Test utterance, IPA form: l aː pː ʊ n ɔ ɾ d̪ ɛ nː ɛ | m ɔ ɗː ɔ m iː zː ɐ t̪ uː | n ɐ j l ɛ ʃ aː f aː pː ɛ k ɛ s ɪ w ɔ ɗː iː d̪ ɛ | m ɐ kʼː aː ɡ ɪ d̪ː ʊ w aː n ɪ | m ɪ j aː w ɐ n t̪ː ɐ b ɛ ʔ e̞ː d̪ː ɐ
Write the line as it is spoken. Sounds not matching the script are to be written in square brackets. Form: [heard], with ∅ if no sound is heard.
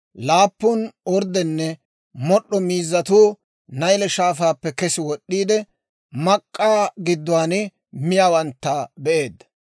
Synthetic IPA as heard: l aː pː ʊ n ɔ ɾ d̪ ɛ nː ɛ | m ɔ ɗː ɔ m iː zː ɐ t̪ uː | n ɐ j l ɛ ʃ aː f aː pː ɛ k ɛ s ɪ w ɔ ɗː iː d̪ ɛ | m ɐ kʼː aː ɡ ɪ d̪ː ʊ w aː n ɪ | m ɪ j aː w ɐ n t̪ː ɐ b ɛ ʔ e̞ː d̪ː ɐ